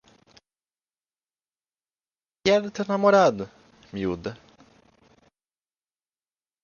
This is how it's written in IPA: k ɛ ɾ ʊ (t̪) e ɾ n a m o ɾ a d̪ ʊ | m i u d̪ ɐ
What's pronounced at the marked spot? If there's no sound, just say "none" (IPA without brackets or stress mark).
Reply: t̪